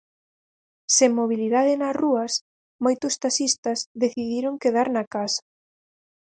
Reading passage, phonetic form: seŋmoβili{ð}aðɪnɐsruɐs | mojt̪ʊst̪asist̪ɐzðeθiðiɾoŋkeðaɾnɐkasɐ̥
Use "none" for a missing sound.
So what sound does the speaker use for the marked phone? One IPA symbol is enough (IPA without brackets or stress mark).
ð